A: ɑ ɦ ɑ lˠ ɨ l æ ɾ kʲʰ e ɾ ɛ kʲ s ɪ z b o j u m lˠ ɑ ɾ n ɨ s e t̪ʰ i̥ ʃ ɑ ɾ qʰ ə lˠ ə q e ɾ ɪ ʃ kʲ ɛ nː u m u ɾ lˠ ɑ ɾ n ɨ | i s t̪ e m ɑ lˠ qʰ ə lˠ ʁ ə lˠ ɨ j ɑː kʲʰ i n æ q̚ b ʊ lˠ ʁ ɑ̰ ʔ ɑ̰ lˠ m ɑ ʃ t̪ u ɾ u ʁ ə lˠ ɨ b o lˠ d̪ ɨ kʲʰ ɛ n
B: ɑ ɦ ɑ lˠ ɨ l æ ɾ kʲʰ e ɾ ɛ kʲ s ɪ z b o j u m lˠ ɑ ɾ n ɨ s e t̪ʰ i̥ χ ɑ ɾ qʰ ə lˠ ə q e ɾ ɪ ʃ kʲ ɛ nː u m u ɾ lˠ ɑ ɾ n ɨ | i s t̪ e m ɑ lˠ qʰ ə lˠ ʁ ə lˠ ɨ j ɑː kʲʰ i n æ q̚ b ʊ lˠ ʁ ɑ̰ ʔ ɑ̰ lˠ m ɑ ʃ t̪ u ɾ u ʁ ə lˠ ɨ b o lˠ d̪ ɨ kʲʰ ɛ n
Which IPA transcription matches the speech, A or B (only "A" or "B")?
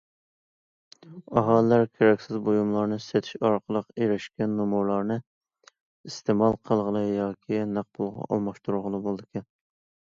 A